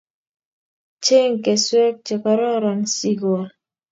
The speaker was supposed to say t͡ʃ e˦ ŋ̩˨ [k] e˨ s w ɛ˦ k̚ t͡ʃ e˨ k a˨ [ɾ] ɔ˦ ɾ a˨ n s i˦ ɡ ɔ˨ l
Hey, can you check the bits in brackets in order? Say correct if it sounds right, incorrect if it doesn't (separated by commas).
correct, correct